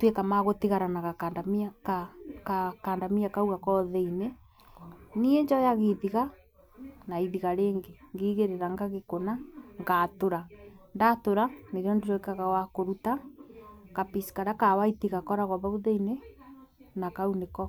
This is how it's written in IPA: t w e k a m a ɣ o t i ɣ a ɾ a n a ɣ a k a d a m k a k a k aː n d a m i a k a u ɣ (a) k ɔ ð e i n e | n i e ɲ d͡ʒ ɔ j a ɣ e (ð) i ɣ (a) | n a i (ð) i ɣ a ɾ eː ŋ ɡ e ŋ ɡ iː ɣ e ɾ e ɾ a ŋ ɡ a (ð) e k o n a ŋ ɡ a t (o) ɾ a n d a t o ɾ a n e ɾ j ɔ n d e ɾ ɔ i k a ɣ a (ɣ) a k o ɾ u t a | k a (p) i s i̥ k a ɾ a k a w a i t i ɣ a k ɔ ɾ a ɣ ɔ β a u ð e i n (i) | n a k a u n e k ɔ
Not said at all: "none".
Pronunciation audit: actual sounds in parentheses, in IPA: a, ð, a, ð, ɣ, o, w, p, e

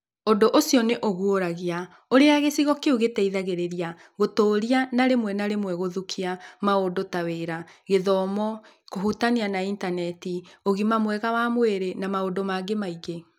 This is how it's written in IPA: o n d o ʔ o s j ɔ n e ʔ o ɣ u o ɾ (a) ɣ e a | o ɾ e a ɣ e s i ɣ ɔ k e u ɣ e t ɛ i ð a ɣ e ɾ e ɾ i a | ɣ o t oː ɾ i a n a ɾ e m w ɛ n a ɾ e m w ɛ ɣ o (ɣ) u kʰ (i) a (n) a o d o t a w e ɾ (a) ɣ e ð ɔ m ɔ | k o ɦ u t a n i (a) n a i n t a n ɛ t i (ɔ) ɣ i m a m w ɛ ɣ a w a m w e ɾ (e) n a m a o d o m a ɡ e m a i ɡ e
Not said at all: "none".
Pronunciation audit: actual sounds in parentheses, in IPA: a, ð, i, m, a, a, o, e

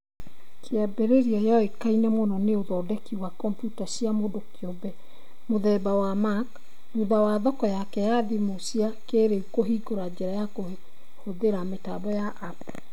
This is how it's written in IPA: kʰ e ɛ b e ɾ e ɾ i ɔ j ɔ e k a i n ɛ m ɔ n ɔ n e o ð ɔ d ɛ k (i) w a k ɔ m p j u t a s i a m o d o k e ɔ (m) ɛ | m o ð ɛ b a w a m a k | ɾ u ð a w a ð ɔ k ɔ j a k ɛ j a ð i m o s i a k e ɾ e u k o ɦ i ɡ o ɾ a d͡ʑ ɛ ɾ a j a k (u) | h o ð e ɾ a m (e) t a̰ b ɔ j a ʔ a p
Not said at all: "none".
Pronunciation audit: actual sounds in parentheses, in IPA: i, b, o, e

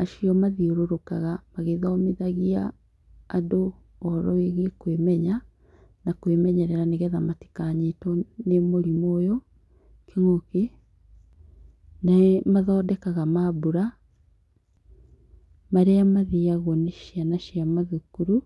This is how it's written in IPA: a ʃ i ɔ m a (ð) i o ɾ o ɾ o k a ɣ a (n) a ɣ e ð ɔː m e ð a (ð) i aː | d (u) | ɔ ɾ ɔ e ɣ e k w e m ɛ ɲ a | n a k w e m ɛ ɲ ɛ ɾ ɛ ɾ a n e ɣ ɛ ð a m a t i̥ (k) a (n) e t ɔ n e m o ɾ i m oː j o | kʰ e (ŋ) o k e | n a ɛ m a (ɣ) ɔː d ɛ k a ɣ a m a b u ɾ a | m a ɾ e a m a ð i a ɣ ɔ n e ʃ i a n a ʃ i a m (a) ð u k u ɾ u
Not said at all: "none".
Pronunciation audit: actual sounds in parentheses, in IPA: ð, m, ɣ, o, k, ɲ, ŋ, ð, a

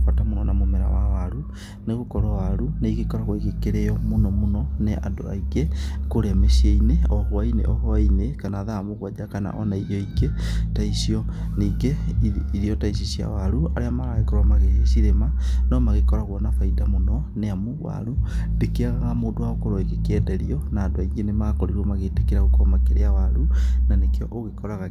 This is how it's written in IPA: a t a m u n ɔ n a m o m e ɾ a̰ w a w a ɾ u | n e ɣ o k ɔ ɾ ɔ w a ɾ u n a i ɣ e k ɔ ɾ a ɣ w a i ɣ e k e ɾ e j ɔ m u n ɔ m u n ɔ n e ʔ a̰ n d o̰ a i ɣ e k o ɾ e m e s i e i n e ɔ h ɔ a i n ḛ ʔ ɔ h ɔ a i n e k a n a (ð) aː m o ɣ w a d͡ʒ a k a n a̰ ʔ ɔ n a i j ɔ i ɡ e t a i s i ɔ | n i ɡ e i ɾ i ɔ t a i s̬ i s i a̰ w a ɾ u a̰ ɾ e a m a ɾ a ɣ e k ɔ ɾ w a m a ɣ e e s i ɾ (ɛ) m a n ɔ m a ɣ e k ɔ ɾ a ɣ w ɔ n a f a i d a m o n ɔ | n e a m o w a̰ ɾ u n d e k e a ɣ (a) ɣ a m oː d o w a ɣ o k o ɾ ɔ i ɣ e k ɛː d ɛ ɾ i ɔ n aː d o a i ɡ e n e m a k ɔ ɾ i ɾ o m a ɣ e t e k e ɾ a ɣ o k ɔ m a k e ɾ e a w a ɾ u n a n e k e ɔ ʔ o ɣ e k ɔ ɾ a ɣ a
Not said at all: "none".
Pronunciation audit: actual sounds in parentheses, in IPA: ð, e, a

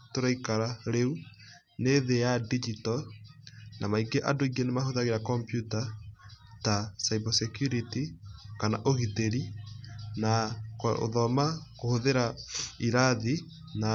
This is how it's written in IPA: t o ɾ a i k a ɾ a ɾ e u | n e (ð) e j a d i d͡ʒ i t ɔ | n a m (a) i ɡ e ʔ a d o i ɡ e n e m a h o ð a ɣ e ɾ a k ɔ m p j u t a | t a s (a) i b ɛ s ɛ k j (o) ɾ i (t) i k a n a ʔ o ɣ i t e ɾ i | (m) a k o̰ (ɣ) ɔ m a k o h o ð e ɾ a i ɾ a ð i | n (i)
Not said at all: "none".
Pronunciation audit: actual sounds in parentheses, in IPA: ð, a, a, u, t, n, ð, a

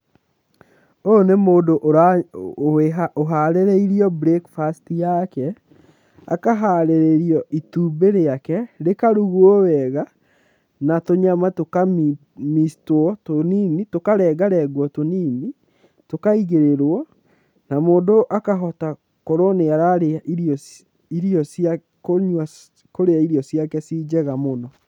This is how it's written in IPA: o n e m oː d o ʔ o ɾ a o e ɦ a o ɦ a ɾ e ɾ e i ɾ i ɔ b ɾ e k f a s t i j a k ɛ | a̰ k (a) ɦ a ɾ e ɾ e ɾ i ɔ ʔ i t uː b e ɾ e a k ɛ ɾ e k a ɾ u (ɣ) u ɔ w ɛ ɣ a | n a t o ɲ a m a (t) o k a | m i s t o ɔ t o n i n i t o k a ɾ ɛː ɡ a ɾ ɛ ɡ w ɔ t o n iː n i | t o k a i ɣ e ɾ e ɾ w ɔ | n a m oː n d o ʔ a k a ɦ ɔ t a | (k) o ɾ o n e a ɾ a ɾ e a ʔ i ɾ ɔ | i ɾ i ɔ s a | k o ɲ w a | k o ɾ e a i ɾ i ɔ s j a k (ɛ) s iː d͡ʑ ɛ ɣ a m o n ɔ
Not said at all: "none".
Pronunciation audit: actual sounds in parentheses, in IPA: a, ɣ, t, k, ɛ

